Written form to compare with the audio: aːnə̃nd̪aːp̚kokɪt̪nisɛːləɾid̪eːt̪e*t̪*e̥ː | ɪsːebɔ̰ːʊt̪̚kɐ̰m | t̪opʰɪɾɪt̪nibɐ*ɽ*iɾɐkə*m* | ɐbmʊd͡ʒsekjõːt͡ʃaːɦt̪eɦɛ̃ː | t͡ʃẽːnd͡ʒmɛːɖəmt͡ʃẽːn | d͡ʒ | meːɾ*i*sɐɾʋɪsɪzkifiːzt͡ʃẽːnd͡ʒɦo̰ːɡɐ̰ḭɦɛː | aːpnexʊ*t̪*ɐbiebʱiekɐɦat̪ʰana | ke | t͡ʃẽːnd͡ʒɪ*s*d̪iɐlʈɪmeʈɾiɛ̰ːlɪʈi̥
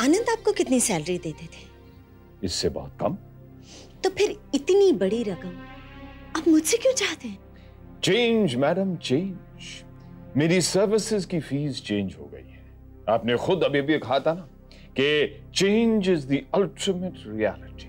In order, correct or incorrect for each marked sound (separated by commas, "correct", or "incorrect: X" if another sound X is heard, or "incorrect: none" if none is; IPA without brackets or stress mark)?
incorrect: t̪ʰ, correct, correct, correct, incorrect: d̪, incorrect: z